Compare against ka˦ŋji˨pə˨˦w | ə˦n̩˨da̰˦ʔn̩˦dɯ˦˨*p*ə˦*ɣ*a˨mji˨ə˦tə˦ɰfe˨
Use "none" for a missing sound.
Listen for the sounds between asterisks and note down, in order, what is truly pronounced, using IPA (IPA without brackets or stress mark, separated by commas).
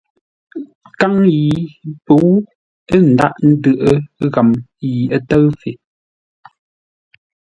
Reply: ʔ, ɣ